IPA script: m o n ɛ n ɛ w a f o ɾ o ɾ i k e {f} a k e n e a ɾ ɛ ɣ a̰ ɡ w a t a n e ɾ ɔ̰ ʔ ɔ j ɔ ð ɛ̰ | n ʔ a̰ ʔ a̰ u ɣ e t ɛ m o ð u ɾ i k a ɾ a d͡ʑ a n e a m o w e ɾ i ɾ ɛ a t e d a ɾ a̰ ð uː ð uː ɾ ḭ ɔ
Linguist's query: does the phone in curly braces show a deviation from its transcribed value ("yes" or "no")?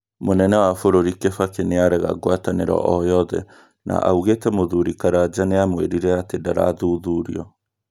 no